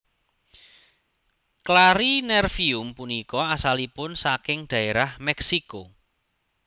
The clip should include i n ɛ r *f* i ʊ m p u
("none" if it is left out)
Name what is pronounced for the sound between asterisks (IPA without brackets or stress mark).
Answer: f